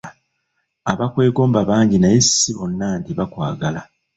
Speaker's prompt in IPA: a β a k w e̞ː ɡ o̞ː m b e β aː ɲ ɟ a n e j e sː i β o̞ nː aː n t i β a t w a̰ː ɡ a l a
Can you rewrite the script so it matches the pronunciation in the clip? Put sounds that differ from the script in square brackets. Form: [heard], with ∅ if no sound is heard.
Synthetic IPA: a β a k w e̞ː ɡ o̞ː m b [a] β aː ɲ ɟ [i] n [a] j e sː i β o̞ nː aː n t i β a [k] w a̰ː ɡ a l a

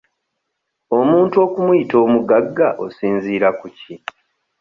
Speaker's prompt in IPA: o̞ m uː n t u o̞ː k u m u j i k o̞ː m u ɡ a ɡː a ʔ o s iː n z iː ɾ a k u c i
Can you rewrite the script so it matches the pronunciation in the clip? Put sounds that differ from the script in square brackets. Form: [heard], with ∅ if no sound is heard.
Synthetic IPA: o̞ m uː n t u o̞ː k u m u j i [t] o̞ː m u ɡ a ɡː a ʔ o s iː n z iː ɾ a k u c i

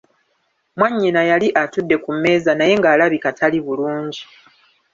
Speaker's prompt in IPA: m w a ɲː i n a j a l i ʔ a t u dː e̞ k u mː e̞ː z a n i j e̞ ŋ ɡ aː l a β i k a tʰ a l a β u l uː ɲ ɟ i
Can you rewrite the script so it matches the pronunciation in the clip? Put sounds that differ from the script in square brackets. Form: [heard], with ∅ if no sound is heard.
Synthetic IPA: m w a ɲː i n a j a l i ʔ a t u dː e̞ k u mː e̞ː z a n [a] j e̞ ŋ ɡ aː l a β i k a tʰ a l [i] β u l uː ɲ ɟ i

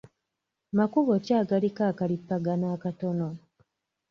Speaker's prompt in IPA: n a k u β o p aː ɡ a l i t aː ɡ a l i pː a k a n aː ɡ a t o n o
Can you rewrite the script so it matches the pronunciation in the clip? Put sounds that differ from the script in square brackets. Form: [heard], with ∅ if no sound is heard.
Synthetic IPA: [m] a k u β o [c] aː ɡ a l i [k] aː [k] a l i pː a [ɡ] a n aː [k] a t o n o

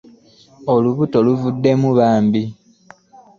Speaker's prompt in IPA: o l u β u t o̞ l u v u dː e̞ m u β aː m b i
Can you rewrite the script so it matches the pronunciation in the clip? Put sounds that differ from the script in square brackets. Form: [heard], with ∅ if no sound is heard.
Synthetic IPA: o l u β u t o̞ l u v u dː e̞ m u β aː m b i

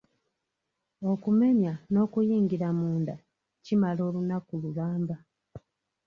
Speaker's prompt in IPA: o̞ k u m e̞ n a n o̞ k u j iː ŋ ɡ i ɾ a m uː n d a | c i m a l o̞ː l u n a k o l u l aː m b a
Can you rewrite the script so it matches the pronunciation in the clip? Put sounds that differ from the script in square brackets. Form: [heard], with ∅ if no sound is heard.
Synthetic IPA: o̞ k u m e̞ [ɲ] a n o̞ k u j iː ŋ ɡ i ɾ a m uː n d a | c i m a l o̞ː l u n a k [u] l u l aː m b a

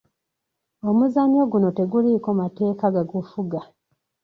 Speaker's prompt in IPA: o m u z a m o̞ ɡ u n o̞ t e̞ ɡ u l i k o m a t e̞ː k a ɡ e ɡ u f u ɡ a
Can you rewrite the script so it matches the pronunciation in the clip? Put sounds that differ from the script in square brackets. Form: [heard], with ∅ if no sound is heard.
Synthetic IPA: o m u z a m o̞ ɡ u n o̞ t e̞ ɡ u l i k o m a t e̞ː k a ɡ [a] ɡ u f u ɡ a

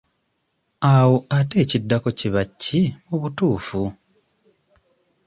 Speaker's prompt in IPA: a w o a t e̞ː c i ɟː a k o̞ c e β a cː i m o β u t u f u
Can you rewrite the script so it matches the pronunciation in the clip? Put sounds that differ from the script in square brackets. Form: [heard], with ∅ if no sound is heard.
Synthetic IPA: a w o a t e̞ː c i [dː] a k o̞ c [i] β a cː i m [u] β u t [uː] f u

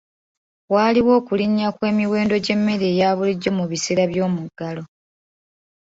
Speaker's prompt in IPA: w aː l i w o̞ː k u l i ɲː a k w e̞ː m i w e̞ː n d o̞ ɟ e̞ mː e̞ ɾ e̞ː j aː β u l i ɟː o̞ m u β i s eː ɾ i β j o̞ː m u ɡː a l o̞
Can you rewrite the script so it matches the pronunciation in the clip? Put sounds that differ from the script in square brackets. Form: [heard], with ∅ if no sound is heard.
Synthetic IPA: w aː l i w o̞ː k u l i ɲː a k w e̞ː m i w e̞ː n d o̞ ɟ e̞ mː e̞ ɾ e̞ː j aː β u l i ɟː o̞ m u β i s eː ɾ [a] β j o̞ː m u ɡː a l o̞

